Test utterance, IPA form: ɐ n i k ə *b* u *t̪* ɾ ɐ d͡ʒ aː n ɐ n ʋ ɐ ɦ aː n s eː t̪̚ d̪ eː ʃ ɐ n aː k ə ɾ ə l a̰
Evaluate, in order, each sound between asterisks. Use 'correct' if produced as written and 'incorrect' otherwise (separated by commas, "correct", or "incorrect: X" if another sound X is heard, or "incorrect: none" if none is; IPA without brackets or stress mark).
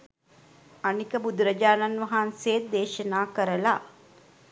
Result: correct, incorrect: d̪